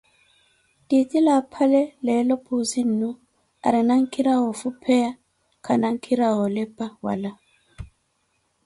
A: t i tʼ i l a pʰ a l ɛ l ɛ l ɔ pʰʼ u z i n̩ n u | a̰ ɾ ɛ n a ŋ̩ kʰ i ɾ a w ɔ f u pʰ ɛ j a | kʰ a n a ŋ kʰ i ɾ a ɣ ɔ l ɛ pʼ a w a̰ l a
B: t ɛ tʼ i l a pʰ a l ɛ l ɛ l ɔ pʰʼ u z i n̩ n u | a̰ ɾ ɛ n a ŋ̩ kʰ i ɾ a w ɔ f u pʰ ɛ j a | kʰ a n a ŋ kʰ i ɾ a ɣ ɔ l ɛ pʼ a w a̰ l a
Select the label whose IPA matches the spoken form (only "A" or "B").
A